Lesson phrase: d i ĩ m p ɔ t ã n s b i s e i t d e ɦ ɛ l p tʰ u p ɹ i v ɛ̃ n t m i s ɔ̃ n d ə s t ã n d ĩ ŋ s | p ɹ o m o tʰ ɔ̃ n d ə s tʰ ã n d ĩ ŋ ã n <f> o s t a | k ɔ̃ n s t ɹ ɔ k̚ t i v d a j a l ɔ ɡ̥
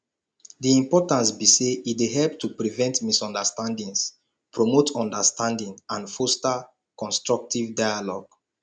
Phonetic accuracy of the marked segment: correct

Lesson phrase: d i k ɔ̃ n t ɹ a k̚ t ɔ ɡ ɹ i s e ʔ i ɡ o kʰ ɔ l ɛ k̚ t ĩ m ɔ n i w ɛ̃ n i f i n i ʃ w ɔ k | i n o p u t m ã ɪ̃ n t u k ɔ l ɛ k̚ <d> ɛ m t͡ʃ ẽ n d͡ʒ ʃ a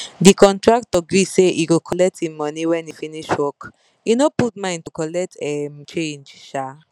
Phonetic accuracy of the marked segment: incorrect: t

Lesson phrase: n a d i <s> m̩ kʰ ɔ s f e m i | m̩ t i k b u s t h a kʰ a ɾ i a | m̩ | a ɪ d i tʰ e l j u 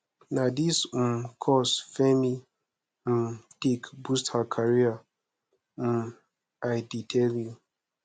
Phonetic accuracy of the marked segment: correct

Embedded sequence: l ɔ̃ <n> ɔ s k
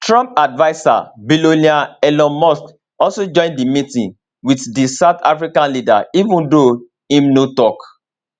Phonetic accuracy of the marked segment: incorrect: m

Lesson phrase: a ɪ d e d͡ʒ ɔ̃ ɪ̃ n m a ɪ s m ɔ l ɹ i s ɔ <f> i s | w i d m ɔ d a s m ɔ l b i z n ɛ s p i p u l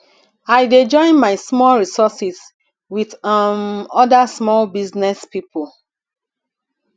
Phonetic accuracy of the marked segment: incorrect: s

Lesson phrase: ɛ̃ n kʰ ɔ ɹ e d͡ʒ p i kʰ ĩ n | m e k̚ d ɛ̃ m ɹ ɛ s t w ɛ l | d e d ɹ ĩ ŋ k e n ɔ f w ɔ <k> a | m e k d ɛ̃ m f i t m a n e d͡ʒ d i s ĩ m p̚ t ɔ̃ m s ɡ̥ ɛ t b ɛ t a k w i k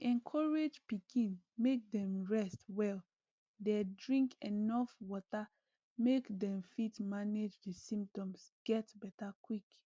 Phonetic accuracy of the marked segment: incorrect: t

